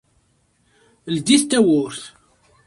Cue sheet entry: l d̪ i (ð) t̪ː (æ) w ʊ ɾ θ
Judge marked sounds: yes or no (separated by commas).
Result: no, yes